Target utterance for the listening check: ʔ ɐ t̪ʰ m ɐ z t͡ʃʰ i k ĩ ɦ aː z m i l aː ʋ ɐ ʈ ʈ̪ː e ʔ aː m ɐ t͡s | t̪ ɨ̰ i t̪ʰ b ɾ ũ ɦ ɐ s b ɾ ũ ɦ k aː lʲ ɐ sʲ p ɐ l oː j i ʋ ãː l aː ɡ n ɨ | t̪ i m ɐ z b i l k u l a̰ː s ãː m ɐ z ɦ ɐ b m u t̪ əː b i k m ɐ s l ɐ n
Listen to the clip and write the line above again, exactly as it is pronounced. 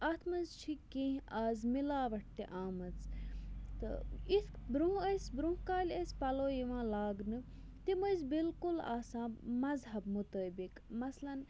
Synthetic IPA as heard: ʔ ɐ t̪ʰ m ɐ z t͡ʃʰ i k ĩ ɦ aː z m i l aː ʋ ɐ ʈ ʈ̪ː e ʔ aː m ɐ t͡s | t̪ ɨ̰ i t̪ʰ b ɾ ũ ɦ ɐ s b ɾ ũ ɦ k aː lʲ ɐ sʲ p ɐ l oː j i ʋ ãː l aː ɡ n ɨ | t̪ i m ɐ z b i l k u l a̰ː s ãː m ɐ z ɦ ɐ b m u t̪ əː b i k m ɐ s l ɐ n